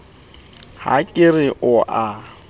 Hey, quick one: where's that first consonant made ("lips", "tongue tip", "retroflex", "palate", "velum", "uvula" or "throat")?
throat